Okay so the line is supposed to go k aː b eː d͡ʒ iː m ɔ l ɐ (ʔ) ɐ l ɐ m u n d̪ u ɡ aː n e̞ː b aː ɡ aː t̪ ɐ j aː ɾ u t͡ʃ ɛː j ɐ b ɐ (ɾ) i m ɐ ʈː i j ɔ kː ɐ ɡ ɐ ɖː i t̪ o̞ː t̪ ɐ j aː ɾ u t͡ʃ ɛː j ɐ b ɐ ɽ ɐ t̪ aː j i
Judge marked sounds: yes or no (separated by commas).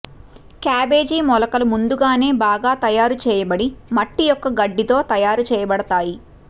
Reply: no, no